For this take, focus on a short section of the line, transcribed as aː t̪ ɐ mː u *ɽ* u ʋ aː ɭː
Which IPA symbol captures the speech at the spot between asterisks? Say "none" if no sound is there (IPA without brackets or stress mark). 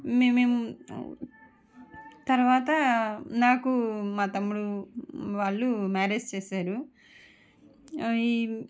ɽ